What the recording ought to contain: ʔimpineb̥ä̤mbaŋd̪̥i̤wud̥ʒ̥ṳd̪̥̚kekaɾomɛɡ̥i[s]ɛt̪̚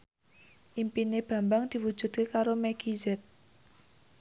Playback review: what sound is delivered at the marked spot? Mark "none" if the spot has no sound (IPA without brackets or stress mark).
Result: z